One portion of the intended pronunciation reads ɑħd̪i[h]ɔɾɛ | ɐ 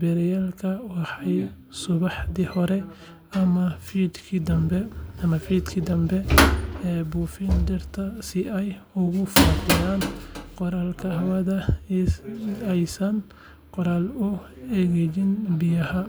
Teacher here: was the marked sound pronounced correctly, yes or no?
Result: yes